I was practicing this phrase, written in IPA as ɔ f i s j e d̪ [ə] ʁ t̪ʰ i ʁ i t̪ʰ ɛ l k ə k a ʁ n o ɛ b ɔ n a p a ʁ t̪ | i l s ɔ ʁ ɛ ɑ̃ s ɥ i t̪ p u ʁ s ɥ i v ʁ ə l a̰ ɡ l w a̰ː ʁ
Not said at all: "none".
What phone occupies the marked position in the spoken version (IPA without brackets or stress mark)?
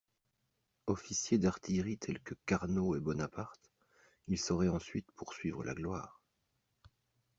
a